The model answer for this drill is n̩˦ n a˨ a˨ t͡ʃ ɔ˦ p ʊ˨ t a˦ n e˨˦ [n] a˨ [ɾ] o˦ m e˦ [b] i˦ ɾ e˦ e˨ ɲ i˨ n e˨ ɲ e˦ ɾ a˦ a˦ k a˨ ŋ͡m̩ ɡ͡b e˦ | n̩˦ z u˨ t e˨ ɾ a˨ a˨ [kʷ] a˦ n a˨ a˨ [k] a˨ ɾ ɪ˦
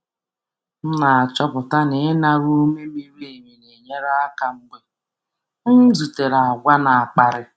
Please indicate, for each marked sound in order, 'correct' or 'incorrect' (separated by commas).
correct, correct, incorrect, incorrect, incorrect